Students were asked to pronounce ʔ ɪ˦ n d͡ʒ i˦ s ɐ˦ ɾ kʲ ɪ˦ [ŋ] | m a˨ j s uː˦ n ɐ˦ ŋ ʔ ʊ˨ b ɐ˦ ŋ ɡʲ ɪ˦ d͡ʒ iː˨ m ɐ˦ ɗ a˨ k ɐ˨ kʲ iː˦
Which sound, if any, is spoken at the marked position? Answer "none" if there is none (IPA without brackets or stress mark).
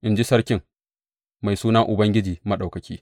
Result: ŋ